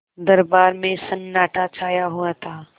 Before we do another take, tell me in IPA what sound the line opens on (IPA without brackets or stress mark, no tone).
d̪